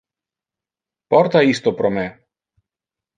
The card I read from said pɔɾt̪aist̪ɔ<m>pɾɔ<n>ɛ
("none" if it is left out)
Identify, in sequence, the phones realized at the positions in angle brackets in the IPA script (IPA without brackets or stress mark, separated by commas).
none, m